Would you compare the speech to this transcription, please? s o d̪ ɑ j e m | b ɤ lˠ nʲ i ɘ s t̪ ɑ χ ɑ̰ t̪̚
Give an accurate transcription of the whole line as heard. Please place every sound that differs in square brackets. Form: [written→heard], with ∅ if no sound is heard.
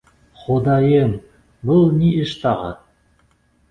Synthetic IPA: [s→χ] o d̪ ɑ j e m | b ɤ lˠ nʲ i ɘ [s→ʃ] t̪ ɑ [χ→ʁ] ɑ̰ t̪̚